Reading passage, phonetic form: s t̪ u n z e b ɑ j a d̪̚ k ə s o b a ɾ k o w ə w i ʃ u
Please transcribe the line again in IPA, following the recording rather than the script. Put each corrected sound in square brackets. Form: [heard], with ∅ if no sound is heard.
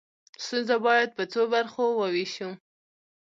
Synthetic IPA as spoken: s t̪ u n z [a] b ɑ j a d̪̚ [p] ə [t͡s] o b a ɾ [x] o w ə w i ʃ u